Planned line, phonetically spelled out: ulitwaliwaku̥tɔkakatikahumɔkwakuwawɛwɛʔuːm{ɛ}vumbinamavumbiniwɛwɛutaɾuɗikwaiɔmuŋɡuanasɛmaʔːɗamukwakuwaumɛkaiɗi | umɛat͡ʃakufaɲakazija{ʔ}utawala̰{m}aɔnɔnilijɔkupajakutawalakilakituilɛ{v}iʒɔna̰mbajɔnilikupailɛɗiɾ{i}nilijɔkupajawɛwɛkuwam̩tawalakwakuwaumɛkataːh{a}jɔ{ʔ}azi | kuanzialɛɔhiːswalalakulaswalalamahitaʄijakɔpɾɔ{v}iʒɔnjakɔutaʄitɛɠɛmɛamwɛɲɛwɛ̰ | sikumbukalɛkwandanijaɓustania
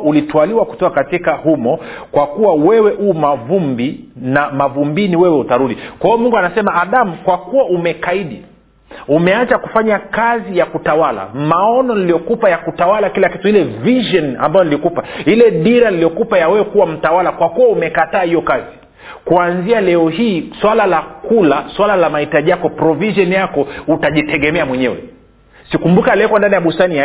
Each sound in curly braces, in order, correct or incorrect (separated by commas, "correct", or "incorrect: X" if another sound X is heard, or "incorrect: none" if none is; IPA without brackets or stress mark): incorrect: a, incorrect: k, correct, correct, incorrect: a, incorrect: i, incorrect: k, correct